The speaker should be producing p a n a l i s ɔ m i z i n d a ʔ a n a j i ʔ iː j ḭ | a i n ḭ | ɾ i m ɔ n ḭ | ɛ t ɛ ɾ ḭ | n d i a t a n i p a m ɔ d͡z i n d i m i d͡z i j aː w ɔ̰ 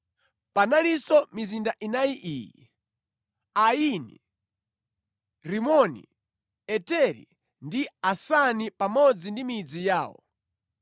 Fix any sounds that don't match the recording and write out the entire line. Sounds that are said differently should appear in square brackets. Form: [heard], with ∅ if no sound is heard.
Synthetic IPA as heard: p a n a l i s ɔ m i z i n d a ʔ [i] n a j i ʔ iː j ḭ | a i n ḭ | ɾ i m ɔ n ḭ | ɛ t ɛ ɾ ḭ | n d i a [s] a n i p a m ɔ d͡z i n d i m i d͡z i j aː w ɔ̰